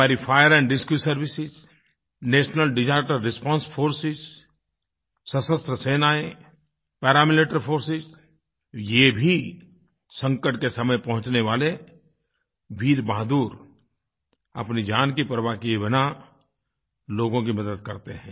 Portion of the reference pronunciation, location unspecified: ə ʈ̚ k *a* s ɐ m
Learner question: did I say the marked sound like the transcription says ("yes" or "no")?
no